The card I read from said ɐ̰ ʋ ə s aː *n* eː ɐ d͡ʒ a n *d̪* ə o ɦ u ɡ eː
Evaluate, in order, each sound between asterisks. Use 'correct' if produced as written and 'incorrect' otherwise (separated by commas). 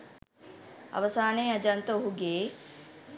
correct, incorrect